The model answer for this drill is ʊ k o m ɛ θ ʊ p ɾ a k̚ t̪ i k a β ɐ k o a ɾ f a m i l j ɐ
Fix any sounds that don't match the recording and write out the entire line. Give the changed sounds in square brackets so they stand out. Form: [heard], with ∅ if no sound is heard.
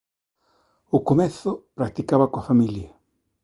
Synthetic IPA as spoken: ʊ k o m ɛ θ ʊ p ɾ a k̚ t̪ i k a β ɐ k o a [∅] f a m i l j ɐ